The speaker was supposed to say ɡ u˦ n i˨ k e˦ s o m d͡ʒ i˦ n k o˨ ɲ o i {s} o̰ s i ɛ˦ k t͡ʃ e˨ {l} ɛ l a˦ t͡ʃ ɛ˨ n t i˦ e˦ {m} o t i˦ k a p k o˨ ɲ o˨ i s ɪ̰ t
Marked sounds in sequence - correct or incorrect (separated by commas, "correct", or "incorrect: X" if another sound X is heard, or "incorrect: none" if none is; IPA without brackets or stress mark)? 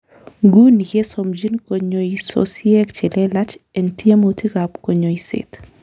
correct, correct, correct